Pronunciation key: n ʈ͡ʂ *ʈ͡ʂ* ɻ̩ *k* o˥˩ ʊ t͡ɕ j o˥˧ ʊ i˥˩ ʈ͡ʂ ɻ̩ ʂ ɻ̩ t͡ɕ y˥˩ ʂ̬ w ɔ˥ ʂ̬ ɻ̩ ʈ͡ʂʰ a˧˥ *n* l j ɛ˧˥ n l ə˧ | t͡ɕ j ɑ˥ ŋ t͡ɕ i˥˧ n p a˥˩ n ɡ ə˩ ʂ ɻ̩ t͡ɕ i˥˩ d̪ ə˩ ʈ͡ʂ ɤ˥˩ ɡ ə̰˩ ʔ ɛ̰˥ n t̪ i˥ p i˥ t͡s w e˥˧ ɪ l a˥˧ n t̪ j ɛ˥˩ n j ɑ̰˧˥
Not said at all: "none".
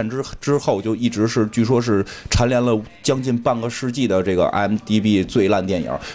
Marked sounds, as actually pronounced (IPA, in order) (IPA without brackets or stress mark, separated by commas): ʈ͡ʂ, x, n